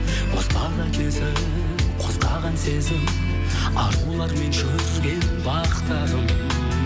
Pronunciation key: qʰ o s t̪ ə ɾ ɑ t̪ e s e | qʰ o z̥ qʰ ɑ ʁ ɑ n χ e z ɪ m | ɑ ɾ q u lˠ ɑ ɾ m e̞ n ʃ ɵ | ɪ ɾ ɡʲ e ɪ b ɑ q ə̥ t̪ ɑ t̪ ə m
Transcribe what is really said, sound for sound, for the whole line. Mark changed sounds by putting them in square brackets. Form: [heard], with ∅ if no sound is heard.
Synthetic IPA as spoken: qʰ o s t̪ [ɑ] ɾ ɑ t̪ e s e | qʰ o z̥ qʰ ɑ ʁ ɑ n [s] e z ɪ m | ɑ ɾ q u lˠ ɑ ɾ m e̞ n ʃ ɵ | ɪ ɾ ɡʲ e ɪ b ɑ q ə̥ t̪ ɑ [d̪] ə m